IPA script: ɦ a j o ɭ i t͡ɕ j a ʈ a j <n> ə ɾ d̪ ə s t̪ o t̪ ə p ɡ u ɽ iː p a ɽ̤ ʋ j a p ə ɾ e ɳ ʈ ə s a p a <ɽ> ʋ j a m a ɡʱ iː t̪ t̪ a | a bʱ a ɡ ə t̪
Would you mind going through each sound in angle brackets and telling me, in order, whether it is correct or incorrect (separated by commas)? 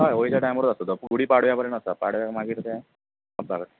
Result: incorrect, correct